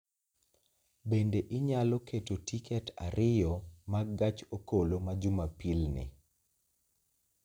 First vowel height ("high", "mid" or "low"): mid